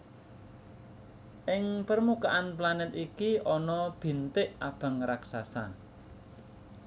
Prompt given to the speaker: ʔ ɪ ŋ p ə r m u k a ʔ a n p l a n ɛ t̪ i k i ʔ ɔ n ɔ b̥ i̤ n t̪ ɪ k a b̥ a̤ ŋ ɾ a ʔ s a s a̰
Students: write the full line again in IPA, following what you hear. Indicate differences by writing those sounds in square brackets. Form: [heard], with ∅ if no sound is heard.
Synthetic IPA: ʔ ɪ ŋ p ə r m u k a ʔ a n p l a n ɛ t̪ i k i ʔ ɔ n ɔ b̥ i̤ n t̪ ɪ [ʔ] a b̥ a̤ ŋ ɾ a [k] s a s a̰